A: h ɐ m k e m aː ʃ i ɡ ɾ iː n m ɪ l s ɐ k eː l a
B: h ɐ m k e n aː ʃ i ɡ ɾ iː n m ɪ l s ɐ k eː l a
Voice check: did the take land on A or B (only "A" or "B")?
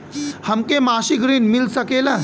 A